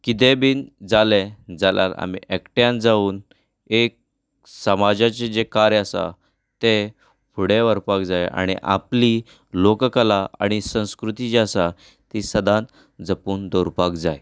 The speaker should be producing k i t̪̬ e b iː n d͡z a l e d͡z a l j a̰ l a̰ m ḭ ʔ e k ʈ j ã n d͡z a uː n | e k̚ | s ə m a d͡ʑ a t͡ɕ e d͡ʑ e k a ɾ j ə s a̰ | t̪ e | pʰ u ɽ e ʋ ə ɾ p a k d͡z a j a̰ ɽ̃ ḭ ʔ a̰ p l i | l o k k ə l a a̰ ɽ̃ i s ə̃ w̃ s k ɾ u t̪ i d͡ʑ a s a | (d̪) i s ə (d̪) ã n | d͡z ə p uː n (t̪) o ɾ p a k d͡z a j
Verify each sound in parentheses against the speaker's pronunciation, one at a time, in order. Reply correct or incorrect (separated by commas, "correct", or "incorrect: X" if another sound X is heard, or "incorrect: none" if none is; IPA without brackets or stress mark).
incorrect: t̪, correct, incorrect: d̪